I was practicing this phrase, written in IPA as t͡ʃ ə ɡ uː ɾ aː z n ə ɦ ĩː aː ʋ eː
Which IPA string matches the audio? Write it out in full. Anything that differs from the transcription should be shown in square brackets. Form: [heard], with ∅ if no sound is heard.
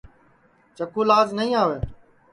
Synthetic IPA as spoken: t͡ʃ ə [k] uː [l] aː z n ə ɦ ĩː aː ʋ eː